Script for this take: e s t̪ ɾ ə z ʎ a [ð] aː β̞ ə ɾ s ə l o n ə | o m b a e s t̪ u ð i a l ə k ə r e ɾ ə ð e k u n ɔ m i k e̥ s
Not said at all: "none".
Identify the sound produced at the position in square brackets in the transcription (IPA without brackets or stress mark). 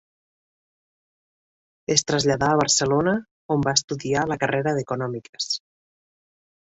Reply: ð